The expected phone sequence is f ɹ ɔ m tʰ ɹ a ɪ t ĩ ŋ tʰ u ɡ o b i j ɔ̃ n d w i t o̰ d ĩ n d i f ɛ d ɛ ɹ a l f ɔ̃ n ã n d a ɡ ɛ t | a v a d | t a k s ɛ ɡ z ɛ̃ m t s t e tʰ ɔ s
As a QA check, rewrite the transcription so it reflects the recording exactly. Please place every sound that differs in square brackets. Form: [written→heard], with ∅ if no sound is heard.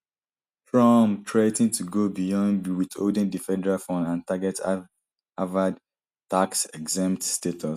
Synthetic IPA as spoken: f ɹ ɔ m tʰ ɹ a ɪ t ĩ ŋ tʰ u ɡ o b i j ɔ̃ n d w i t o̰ d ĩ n d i f ɛ d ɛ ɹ a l f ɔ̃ n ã n [d→t] a ɡ ɛ t | a v a d | t a k s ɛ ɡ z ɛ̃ m t s t e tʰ ɔ s